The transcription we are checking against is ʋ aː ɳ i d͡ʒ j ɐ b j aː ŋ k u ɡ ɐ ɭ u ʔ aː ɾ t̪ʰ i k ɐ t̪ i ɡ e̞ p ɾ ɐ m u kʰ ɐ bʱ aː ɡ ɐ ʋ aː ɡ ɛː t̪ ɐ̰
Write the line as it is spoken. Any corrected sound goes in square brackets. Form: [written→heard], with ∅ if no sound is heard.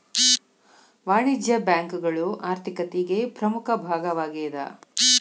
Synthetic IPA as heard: ʋ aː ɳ i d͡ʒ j ɐ b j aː ŋ k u ɡ ɐ ɭ u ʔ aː ɾ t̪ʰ i k ɐ t̪ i ɡ e̞ p ɾ ɐ m u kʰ ɐ bʱ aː ɡ ɐ ʋ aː ɡ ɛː [t̪→d̪] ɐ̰